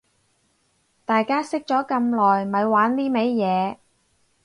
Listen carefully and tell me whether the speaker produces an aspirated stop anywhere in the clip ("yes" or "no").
no